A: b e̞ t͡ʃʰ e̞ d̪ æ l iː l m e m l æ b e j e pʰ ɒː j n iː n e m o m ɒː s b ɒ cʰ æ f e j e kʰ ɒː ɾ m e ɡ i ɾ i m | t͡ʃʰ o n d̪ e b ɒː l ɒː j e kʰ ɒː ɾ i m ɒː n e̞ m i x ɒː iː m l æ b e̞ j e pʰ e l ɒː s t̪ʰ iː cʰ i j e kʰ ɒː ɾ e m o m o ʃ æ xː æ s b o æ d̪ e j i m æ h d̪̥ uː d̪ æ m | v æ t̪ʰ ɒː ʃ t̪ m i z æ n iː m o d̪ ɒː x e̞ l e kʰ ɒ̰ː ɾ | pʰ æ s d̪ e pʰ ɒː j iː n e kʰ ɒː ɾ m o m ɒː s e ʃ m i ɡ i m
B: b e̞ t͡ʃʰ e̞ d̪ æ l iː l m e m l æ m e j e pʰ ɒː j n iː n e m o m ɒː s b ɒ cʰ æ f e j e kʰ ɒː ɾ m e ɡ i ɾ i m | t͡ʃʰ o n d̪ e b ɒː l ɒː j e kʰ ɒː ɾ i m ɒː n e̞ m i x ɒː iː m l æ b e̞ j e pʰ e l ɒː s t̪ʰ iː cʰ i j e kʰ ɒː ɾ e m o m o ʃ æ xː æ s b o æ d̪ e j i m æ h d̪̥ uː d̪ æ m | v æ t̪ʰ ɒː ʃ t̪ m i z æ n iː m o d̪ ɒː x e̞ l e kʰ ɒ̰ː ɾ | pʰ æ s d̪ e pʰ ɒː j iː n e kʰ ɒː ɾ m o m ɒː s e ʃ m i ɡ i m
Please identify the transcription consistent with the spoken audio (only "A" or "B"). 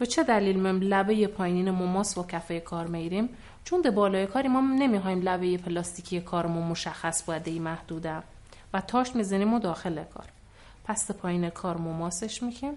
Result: A